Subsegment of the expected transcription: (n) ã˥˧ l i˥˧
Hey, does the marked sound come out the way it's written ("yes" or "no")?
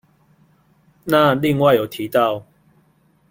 yes